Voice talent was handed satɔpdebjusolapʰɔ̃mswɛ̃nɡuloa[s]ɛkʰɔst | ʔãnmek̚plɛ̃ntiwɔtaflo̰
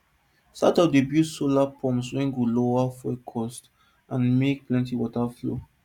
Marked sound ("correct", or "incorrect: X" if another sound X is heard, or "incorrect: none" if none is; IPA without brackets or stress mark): incorrect: f